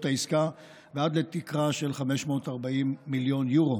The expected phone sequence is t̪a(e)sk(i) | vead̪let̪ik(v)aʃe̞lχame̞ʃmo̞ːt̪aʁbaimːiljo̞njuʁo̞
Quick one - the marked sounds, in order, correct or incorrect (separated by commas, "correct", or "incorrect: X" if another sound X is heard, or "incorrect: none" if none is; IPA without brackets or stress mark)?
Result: incorrect: i, incorrect: a, incorrect: ʁ